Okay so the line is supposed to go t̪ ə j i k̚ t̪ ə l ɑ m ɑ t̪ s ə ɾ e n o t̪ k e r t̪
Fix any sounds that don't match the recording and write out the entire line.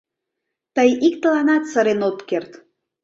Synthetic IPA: t̪ ə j i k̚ t̪ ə l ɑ n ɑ t̪ s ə ɾ e n o t̪ k e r t̪